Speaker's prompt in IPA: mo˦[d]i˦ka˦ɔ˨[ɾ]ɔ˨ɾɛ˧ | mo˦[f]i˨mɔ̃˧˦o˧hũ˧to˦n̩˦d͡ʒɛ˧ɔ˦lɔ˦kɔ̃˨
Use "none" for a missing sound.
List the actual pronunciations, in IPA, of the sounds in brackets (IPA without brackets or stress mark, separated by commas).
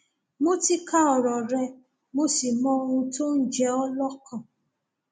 t, ɾ, s